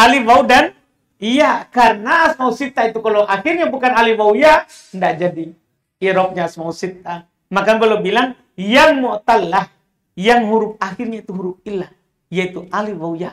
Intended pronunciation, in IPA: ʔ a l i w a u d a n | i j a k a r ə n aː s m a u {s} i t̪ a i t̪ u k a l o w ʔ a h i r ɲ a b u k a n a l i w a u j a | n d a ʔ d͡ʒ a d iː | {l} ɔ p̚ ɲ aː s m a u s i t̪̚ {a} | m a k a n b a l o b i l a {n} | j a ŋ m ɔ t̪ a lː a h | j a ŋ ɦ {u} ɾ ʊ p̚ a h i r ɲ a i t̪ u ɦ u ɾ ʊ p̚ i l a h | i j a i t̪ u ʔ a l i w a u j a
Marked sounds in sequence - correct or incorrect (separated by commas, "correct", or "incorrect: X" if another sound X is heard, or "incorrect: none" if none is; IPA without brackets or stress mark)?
correct, incorrect: ɾ, correct, incorrect: ŋ, correct